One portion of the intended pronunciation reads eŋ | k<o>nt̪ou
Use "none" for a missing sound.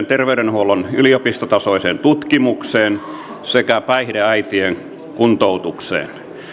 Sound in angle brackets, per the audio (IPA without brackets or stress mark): u